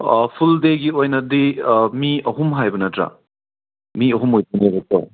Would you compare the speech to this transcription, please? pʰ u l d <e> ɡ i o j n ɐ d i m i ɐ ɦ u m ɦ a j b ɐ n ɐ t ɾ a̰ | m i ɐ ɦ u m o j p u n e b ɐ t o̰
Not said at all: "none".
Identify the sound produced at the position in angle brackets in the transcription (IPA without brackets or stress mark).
e